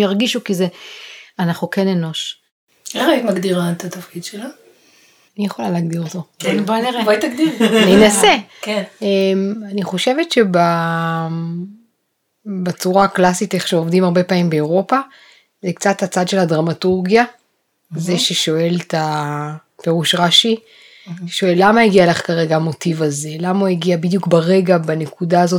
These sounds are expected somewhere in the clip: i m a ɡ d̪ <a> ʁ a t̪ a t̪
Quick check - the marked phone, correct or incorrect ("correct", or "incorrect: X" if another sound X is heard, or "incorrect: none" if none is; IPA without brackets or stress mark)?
incorrect: i